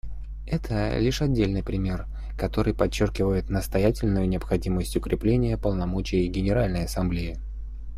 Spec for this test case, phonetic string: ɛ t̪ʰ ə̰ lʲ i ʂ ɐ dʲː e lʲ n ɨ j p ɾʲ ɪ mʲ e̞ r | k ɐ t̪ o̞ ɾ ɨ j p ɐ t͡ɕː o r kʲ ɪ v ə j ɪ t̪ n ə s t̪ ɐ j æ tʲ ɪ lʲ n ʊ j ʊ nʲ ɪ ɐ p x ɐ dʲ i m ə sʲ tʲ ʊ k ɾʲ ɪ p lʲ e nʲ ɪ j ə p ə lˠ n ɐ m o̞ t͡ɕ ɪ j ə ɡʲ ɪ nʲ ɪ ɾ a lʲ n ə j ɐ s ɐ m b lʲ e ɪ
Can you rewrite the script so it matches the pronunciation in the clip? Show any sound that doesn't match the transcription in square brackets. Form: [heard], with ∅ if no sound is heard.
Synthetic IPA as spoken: ɛ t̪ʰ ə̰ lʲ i ʂ ɐ dʲː e lʲ n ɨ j p ɾʲ ɪ mʲ e̞ r | k ɐ t̪ o̞ ɾ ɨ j p ɐ t͡ɕː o r kʲ ɪ v ə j ɪ t̪ n ə s t̪ ɐ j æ tʲ ɪ lʲ n ʊ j ʊ nʲ ɪ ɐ p x ɐ dʲ i m ə sʲ tʲ ʊ k ɾʲ ɪ p lʲ e nʲ ɪ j ə p ə lˠ n ɐ m o̞ t͡ɕ ɪ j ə ɡʲ ɪ nʲ ɪ ɾ a lʲ n ə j ɐ s ɐ m b lʲ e ɪ